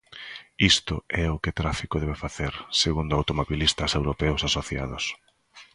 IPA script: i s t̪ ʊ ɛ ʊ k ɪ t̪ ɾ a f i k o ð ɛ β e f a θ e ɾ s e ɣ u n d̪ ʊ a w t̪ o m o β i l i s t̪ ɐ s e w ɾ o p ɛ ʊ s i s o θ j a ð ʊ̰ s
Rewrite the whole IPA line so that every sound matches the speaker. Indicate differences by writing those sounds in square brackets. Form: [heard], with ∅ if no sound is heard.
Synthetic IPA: i s t̪ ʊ ɛ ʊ k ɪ t̪ ɾ a f i k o ð ɛ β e f a θ e ɾ s e ɣ u n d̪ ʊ a w t̪ o m o β i l i s t̪ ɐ s e w ɾ o p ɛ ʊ s [a] s o θ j a ð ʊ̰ s